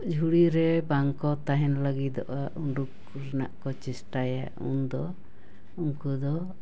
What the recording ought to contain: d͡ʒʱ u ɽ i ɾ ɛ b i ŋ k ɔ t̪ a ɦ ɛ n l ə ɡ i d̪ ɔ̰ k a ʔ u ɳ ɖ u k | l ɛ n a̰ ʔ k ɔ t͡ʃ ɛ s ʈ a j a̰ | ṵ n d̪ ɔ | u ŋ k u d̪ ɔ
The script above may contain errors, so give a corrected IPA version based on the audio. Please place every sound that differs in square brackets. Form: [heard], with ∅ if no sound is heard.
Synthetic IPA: d͡ʒʱ u ɽ i ɾ ɛ b [a] ŋ k ɔ t̪ a ɦ ɛ n l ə ɡ i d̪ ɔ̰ [ʔ] a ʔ u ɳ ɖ u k | [ɾ] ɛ n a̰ ʔ k ɔ t͡ʃ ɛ s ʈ a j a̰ | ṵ n d̪ ɔ | u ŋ k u d̪ ɔ